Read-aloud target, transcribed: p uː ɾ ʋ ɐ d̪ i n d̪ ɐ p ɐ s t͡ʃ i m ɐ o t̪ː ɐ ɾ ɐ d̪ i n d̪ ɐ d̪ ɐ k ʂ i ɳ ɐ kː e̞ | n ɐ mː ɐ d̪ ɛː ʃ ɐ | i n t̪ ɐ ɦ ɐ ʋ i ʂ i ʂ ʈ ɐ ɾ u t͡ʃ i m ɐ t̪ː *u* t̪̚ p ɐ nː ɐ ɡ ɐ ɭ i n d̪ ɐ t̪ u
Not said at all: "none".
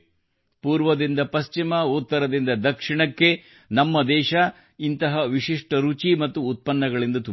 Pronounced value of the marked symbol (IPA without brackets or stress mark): uː